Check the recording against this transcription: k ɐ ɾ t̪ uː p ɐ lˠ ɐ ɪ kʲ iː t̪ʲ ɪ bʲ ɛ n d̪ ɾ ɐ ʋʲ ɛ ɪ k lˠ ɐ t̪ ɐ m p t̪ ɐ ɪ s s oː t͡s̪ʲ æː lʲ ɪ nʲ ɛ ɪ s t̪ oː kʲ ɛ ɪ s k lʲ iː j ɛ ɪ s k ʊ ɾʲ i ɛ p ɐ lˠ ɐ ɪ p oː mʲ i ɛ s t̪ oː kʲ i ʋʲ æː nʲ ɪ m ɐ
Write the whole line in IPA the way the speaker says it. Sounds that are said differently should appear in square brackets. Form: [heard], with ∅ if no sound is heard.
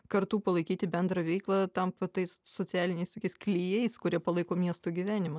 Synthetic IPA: k ɐ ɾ t̪ uː p ɐ lˠ ɐ ɪ kʲ iː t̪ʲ ɪ bʲ ɛ n d̪ ɾ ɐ ʋʲ ɛ ɪ k lˠ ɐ t̪ ɐ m p t̪ ɐ ɪ s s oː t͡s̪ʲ æː lʲ ɪ nʲ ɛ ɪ s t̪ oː kʲ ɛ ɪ s k lʲ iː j ɛ ɪ s k ʊ ɾʲ i ɛ p ɐ lˠ ɐ ɪ [k] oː mʲ i ɛ s t̪ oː [ɡʲ] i ʋʲ æː nʲ ɪ m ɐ